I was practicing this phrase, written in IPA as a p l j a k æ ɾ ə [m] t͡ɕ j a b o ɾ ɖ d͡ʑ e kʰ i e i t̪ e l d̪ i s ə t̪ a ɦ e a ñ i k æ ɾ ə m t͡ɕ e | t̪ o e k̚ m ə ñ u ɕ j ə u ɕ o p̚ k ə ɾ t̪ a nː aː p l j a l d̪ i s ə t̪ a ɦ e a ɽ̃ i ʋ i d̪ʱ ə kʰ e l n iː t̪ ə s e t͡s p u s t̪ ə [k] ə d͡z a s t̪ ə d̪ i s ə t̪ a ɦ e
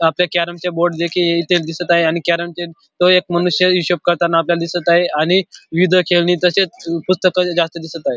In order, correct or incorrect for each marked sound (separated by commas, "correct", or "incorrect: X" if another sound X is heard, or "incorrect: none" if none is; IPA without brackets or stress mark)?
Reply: correct, correct